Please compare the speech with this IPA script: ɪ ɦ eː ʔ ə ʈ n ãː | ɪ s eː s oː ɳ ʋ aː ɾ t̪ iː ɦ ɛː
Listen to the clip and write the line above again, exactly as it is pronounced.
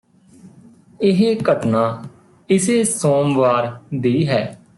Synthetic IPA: ɪ ɦ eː k ə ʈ n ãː | ɪ s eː s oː m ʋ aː ɾ d̪ iː ɦ ɛː